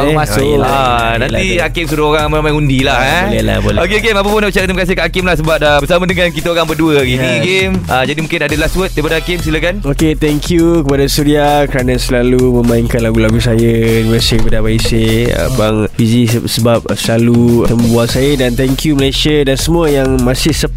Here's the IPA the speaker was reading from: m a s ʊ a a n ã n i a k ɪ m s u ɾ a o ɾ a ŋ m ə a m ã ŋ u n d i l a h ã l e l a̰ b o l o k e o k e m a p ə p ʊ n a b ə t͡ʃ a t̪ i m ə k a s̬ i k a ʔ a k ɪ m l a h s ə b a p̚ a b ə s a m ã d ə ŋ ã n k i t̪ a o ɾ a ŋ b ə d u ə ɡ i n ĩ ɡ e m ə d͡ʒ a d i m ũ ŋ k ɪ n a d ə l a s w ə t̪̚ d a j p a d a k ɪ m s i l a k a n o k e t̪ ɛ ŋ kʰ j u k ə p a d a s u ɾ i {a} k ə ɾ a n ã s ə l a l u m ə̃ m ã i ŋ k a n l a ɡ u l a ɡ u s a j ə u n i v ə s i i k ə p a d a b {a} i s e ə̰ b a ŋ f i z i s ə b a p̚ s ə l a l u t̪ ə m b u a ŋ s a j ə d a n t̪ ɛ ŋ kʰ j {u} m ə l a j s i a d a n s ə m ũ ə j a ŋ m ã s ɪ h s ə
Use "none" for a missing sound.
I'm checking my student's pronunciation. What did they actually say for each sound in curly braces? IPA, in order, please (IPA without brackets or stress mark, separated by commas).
a, a, u